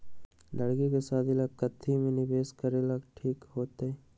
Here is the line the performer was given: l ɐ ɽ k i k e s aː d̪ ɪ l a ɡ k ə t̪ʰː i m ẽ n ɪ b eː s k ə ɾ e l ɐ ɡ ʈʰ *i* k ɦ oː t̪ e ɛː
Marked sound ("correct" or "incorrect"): incorrect